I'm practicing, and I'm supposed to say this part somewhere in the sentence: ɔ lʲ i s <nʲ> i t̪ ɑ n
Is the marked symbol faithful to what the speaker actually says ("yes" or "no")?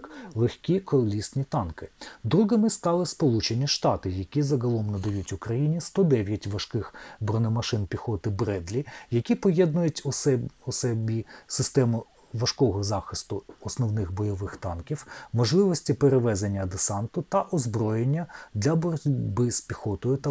yes